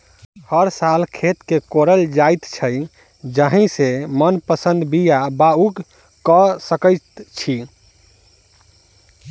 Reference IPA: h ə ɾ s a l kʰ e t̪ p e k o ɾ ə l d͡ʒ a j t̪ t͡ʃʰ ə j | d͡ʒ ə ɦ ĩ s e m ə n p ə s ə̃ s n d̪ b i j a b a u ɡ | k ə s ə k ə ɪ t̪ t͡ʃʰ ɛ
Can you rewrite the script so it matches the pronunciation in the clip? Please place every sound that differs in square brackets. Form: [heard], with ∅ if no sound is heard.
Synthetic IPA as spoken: h ə ɾ s a l kʰ e t̪ [k] e k o ɾ ə l d͡ʒ a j t̪ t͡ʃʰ ə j | d͡ʒ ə ɦ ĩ s e m ə n p ə s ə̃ [∅] n d̪ b i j a b a u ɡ | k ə s ə k ə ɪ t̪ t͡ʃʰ [i]